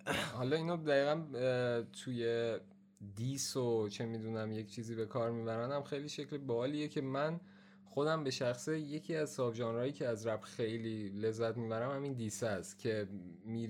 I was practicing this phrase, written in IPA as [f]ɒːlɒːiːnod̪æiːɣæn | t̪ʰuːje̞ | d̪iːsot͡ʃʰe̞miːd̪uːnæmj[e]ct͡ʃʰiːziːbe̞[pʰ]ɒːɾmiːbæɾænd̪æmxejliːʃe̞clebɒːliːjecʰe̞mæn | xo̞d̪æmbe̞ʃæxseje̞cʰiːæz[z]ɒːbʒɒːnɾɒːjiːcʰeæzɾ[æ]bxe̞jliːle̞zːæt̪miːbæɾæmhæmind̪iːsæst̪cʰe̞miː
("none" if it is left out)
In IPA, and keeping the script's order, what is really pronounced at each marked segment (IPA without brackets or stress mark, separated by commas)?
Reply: h, e, kʰ, s, æ